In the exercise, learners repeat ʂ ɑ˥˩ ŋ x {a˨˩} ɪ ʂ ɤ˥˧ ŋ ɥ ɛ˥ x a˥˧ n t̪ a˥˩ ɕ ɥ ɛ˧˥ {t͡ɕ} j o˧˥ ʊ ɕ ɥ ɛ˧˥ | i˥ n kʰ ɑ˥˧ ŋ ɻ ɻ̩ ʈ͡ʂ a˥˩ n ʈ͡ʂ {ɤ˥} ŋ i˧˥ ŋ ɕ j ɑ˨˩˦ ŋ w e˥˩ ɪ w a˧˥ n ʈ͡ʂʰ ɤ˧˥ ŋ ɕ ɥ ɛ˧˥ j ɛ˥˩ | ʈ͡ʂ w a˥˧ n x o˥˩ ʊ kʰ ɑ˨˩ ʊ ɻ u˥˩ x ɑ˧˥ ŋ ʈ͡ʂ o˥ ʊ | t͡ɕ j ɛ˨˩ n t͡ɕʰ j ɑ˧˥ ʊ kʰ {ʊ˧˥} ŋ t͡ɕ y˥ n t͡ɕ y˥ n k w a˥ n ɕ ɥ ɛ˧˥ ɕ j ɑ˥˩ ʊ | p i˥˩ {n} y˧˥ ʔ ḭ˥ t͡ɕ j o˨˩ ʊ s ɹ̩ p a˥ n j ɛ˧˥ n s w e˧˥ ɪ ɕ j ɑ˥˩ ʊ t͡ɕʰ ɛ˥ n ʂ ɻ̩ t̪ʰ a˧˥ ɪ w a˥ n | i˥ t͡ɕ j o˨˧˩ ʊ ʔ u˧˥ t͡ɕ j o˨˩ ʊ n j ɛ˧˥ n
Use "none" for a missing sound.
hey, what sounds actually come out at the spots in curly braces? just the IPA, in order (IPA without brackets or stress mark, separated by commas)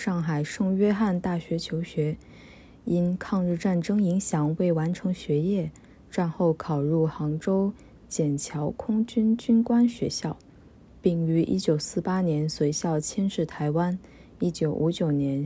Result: a˨˩, t͡ɕʰ, ɤ˥, ʊ˥, ŋ